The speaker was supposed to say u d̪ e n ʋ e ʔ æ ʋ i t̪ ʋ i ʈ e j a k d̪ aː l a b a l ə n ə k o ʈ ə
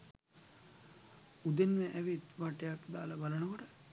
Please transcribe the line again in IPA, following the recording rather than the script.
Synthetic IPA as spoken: u d̪ e n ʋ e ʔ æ ʋ i t̪ ʋ a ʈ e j a k d̪ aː l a b a l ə n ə k o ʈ ə